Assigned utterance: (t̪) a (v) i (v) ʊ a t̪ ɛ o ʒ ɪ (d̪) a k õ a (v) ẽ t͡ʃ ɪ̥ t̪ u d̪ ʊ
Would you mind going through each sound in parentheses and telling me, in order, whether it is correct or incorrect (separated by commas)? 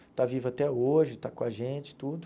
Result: correct, correct, correct, incorrect, incorrect